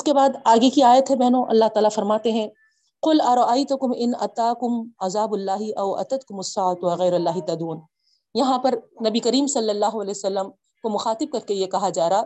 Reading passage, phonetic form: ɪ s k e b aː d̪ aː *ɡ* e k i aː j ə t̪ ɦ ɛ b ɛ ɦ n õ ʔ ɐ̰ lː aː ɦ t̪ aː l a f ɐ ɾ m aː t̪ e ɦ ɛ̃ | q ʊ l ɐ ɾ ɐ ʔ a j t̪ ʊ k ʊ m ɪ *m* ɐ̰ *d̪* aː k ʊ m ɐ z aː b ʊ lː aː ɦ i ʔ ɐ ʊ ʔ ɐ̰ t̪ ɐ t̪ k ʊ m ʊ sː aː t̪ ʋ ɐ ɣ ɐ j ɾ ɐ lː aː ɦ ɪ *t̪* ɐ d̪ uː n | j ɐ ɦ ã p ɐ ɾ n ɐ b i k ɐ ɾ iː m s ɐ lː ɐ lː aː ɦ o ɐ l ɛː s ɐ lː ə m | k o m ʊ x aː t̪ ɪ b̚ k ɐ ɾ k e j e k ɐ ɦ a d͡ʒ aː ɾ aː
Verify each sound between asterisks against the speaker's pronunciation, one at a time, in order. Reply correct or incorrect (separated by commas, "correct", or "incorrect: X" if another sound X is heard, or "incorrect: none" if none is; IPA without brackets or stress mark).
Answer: correct, incorrect: n, incorrect: t̪, correct